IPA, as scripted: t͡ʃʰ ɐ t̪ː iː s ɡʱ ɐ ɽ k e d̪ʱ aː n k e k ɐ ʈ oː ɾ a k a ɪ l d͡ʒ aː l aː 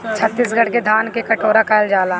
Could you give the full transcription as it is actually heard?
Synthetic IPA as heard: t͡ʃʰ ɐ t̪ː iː s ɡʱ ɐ ɽ k e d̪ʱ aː n k e k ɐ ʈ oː ɾ a k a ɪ l d͡ʒ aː l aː